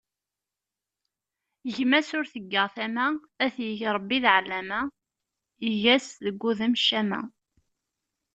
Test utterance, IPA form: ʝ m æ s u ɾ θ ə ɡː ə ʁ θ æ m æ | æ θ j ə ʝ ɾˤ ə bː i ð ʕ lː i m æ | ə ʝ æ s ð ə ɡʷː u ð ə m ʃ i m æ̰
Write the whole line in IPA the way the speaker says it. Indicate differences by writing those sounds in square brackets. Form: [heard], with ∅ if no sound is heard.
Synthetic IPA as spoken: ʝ m æ s [ʊ] ɾ θ ə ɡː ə ʁ θ æ m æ | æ θ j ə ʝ ɾˤ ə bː i ð ʕ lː [æ] m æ | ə ʝ æ s ð ə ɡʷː u ð ə m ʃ [æ] m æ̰